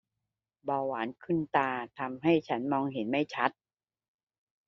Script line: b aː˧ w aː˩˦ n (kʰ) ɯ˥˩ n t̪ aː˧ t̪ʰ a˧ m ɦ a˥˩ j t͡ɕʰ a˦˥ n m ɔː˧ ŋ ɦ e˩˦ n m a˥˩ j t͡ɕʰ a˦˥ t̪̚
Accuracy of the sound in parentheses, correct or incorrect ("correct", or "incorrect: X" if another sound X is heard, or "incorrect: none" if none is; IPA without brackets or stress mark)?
correct